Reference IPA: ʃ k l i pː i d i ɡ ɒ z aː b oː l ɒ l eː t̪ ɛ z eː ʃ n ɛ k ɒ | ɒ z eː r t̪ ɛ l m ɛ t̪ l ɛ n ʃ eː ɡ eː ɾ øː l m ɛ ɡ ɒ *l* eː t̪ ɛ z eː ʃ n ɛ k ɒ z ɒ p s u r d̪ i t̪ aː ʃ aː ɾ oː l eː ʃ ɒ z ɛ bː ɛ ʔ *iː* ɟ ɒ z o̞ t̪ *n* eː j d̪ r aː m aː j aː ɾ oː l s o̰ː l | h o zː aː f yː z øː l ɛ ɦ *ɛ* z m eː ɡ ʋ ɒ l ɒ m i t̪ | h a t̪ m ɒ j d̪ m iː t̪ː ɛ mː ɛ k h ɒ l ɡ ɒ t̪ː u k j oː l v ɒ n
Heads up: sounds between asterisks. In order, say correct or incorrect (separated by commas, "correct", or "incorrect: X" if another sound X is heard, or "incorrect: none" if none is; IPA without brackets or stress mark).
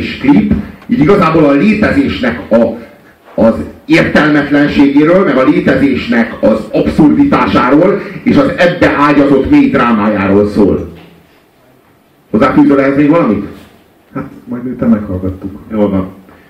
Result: correct, incorrect: aː, incorrect: m, correct